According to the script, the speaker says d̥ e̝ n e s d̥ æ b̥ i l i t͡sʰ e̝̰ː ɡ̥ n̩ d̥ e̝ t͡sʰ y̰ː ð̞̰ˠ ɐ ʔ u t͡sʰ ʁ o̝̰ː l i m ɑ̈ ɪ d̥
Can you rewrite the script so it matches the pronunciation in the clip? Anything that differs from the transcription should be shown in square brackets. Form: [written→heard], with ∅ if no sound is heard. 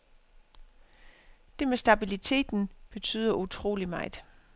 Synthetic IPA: d̥ e̝ [n→m] e s d̥ æ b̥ i l i t͡sʰ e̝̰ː [ɡ̥→d̥] n̩ [d̥→b̥] e̝ t͡sʰ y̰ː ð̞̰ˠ ɐ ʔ u t͡sʰ ʁ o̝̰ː l i m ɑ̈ ɪ d̥